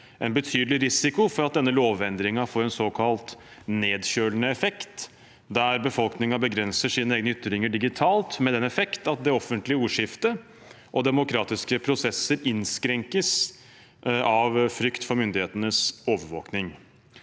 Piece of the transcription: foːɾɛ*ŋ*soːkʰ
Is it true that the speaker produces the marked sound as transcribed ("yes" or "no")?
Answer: no